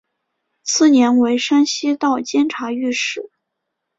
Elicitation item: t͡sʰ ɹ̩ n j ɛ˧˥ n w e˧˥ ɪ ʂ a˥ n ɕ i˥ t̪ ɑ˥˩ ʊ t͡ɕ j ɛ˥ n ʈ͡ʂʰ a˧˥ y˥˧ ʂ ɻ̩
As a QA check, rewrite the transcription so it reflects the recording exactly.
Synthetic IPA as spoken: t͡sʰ ɹ̩ n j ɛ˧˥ n w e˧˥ ɪ ʂ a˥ n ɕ i˥ t̪ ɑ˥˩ ʊ t͡ɕ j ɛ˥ n ʈ͡ʂʰ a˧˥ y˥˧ ʂ ɻ̩